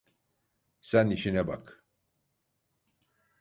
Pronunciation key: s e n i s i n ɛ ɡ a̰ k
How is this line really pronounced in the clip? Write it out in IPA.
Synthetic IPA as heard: s æ n i ʃ i n ɛ b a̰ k